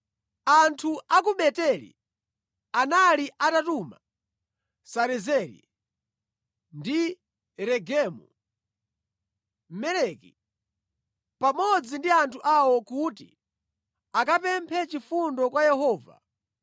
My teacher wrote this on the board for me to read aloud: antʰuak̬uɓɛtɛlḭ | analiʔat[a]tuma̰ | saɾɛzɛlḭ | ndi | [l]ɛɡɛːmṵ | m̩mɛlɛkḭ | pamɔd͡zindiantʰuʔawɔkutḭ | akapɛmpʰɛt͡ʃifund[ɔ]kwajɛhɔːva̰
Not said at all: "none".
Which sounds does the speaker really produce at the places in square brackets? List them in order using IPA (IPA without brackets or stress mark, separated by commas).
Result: a, ɾ, ɔ